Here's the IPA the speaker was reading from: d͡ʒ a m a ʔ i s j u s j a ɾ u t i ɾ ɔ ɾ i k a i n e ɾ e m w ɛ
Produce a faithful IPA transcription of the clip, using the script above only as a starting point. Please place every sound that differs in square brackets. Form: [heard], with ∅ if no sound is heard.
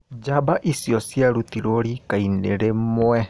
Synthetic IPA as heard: d͡ʒ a [b] a ʔ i s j [ɔ] s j a ɾ u t i ɾ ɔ ɾ i k a i n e ɾ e m w ɛ